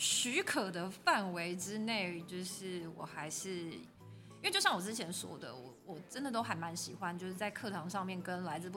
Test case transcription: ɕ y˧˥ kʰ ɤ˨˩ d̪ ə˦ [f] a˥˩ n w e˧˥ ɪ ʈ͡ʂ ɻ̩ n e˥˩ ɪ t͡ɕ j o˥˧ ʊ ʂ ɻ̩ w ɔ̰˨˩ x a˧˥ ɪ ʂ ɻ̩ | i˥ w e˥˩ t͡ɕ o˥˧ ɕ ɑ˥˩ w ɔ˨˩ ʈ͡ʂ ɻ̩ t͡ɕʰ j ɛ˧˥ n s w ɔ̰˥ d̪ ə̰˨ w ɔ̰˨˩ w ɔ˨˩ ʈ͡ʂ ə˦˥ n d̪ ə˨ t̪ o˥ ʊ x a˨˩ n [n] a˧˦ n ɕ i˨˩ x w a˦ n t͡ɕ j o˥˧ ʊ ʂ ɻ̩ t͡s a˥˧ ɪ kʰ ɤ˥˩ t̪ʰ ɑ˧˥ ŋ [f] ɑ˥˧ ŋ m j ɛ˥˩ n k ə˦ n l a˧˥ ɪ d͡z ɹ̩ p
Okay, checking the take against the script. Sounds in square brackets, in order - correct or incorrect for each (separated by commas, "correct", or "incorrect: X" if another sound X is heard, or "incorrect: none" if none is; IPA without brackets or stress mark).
correct, incorrect: m, incorrect: ʂ